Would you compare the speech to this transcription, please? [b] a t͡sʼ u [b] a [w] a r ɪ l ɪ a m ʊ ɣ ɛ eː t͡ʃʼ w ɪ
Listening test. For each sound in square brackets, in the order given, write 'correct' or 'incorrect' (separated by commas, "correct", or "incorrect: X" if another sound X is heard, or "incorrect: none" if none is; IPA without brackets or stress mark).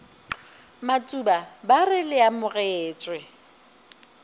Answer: incorrect: m, correct, incorrect: b